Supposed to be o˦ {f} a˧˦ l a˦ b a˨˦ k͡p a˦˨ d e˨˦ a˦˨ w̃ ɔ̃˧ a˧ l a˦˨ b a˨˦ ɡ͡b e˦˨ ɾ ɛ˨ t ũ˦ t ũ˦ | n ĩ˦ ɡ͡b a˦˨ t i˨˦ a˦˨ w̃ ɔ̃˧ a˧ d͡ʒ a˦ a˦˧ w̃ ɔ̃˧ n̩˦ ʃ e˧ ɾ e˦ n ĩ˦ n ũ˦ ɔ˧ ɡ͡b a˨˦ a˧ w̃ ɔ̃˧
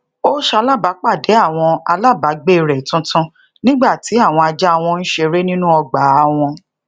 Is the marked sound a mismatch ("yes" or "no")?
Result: yes